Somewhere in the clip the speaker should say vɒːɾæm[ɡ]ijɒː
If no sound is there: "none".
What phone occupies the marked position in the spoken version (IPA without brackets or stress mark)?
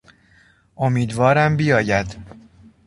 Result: b